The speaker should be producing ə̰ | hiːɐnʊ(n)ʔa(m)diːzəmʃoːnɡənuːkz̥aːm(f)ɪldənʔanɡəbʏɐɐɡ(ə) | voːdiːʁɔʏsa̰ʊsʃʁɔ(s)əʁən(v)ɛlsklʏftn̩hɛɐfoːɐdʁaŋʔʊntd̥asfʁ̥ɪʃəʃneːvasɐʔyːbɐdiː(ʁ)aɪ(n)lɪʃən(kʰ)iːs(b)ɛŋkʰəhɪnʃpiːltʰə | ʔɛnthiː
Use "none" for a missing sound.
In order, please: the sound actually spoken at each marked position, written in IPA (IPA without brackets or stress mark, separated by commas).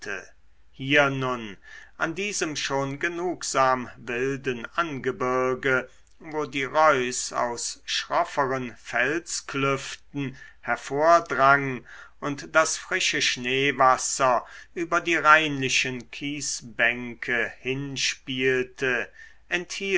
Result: n, n, v, ə, f, f, ʁ, n, kʰ, b